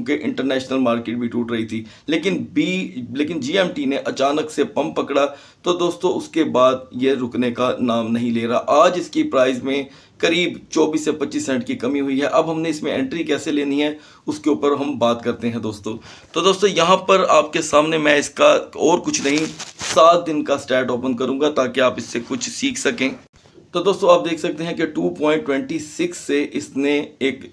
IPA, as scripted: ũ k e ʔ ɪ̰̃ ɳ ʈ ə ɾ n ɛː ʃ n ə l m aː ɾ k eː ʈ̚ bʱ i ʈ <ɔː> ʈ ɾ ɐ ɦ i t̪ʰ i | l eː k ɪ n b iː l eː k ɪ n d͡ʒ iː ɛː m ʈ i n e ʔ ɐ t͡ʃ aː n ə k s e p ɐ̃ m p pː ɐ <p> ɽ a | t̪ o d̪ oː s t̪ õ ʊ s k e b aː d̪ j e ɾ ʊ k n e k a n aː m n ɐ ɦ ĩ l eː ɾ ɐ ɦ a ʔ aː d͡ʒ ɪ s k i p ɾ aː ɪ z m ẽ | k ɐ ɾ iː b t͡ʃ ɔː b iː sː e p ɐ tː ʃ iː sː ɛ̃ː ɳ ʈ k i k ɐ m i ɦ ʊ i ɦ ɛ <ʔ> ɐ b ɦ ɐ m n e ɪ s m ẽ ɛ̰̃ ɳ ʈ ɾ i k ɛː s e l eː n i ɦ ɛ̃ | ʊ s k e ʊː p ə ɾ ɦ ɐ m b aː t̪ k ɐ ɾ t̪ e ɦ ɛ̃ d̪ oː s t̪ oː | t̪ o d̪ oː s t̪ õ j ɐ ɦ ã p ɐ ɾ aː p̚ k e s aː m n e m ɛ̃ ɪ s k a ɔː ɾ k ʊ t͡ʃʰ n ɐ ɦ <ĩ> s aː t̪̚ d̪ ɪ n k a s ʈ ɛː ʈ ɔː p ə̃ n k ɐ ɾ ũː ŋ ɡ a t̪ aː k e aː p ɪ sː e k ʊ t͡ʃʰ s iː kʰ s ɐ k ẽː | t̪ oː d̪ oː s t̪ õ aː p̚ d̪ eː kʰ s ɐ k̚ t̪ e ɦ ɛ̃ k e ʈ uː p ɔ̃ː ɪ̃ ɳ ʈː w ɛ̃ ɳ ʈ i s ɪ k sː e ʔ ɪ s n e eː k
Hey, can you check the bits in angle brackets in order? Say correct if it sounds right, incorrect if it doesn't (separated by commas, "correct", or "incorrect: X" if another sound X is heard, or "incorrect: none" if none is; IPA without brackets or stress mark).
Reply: incorrect: uː, incorrect: k, correct, correct